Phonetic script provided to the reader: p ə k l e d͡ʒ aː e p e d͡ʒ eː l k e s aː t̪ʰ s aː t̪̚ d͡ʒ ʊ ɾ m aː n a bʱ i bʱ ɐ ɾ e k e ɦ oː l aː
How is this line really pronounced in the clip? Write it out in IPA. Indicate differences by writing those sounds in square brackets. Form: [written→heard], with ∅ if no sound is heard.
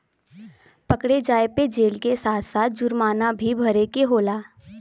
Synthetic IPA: p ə k [l→ɽ] e d͡ʒ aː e p e d͡ʒ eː l k e s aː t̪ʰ s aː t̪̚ d͡ʒ ʊ ɾ m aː n a bʱ i bʱ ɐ ɾ e k e ɦ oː l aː